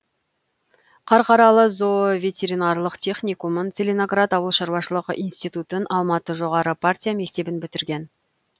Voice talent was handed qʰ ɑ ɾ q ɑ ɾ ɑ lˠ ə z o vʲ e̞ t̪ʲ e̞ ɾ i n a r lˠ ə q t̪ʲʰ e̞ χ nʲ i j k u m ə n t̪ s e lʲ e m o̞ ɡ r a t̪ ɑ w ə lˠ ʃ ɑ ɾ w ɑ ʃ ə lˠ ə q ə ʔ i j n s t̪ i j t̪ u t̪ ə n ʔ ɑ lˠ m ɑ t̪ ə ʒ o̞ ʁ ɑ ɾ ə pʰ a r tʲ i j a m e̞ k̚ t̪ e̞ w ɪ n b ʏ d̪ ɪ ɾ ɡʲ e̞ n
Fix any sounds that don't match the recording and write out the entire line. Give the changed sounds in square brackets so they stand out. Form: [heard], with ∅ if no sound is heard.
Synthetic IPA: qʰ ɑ ɾ q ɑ ɾ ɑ lˠ ə z o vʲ e̞ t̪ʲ e̞ ɾ i n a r lˠ ə q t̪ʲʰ e̞ χ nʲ i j k u m ə n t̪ s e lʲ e [n] o̞ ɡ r a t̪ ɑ w ə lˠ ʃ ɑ ɾ w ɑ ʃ ə lˠ ə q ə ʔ i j n s t̪ i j t̪ u t̪ ə n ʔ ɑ lˠ m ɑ t̪ ə ʒ o̞ ʁ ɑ ɾ ə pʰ a r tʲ i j a m e̞ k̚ t̪ e̞ [b] ɪ n b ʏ [t̪] ɪ ɾ ɡʲ e̞ n